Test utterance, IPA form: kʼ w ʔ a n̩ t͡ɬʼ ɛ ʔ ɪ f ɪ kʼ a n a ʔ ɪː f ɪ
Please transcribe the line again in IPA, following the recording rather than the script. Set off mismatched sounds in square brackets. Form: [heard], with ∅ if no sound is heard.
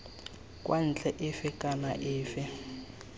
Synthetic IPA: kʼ w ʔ a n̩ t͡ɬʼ ɛ ʔ ɪ f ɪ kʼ a n a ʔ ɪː f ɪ